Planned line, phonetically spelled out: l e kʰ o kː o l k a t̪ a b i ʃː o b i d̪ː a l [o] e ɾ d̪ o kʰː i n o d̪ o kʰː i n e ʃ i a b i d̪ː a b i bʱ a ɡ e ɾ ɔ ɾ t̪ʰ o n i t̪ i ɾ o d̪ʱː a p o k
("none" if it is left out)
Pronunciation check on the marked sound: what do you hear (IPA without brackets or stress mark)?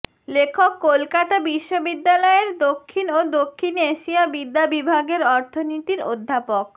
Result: ɔ